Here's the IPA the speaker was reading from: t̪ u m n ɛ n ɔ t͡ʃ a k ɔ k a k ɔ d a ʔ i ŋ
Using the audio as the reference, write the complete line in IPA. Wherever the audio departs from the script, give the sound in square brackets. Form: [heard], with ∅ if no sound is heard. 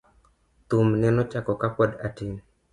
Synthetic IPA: t̪ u m n ɛ n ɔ t͡ʃ a k ɔ k a [p] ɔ d a [t] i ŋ